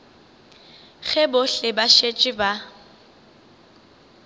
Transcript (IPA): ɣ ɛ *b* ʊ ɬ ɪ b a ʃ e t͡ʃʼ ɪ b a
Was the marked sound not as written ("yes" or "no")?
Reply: no